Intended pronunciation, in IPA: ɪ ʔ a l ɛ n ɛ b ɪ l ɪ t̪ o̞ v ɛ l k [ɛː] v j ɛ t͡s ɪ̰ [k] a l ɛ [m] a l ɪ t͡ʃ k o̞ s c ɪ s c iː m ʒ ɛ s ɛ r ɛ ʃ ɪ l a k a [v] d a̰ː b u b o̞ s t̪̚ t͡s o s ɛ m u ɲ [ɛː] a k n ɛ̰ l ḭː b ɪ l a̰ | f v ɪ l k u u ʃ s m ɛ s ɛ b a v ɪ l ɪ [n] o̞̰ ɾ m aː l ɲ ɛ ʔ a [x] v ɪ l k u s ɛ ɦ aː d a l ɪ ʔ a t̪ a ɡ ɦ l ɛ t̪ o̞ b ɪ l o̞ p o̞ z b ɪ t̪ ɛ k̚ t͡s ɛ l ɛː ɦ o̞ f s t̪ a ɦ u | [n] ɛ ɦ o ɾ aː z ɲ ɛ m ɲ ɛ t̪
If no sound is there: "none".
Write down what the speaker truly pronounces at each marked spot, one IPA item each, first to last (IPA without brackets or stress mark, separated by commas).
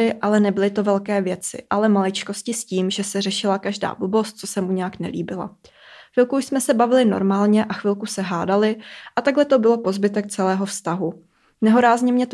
ɛː, ʔ, m, ʒ, ɛ, n, x, n